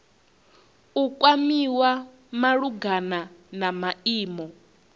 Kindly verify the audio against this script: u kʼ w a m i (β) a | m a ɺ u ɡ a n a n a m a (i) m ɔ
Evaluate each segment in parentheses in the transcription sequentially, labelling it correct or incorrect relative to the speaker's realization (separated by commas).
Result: incorrect, incorrect